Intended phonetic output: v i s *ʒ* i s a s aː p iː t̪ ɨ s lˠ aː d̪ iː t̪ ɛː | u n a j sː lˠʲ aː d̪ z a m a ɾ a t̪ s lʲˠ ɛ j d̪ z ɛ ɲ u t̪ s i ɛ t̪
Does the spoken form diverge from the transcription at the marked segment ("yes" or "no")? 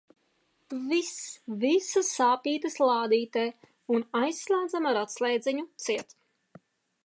yes